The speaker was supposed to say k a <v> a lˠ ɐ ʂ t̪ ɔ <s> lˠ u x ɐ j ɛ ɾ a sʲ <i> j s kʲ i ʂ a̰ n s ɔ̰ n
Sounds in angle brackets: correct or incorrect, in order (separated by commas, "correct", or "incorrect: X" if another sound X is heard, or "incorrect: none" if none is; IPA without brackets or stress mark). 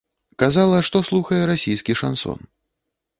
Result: incorrect: z, correct, correct